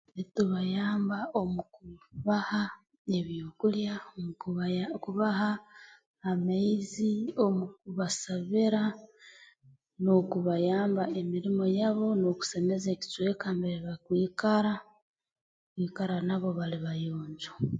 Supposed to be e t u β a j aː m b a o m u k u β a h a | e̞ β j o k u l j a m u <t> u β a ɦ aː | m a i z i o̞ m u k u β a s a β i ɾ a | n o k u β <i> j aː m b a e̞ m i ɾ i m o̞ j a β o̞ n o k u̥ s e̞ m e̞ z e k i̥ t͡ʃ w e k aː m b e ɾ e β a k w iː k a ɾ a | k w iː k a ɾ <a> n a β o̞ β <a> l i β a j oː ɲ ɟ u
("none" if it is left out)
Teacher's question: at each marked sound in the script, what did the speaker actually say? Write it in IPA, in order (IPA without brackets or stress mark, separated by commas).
k, a, a, a